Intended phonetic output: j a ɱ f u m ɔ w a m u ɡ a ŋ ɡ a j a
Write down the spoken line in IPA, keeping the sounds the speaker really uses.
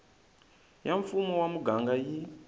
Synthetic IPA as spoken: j a ɱ f u m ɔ w a m u ɡ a ŋ ɡ a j i

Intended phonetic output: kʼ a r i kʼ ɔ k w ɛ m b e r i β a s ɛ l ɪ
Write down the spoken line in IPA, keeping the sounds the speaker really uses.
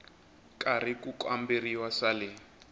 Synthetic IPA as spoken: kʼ a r i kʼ u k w a m b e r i w a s a l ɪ

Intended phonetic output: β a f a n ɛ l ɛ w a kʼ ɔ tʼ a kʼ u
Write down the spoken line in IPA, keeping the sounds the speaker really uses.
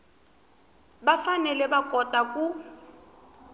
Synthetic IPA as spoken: b a f a n ɛ l ɛ b a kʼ ɔ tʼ a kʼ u

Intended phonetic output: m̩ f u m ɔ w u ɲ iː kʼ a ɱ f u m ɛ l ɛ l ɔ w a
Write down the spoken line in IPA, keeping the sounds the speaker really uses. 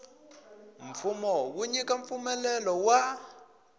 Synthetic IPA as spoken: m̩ f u m ɔ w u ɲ i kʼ a ɱ f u m ɛ l ɛ l ɔ w a

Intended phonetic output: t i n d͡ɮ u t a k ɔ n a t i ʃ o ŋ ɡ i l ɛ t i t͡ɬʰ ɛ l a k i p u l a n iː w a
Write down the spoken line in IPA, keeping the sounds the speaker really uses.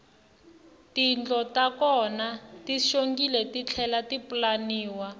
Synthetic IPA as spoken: t i n d͡ɮ ɔ t a k ɔ n a t i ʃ o ŋ ɡ i l ɛ t i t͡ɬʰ ɛ l a t i p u l a n iː w a

